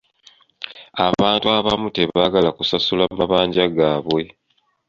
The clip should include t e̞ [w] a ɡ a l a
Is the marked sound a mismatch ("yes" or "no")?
yes